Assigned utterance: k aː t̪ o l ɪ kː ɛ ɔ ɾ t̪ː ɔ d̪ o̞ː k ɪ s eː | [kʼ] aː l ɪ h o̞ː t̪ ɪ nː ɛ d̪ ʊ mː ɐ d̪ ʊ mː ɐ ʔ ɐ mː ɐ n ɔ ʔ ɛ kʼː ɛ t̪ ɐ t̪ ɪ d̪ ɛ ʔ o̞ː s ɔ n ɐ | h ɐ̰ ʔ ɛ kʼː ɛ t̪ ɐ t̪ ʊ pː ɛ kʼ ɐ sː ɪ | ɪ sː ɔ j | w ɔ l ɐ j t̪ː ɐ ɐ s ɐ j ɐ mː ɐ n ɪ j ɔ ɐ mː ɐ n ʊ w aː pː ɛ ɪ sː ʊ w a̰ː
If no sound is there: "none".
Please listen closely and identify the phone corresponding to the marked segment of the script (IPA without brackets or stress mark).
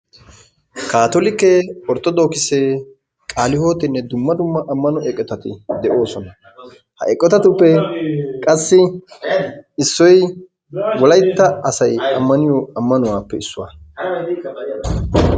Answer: kʼ